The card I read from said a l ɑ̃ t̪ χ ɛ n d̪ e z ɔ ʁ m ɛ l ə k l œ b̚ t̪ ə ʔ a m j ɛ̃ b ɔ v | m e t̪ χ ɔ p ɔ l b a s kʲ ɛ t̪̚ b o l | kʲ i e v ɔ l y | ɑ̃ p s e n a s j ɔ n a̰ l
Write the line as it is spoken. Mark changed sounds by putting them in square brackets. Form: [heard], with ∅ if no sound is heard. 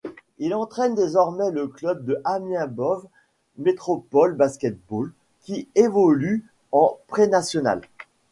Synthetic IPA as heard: [i] l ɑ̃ t̪ χ ɛ n d̪ e z ɔ ʁ m ɛ l ə k l œ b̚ [d̪] ə ʔ a m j ɛ̃ b ɔ v | m e t̪ χ ɔ p ɔ l b a s kʲ ɛ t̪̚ b o l | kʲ i e v ɔ l y | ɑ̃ p [χ] e n a s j ɔ n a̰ l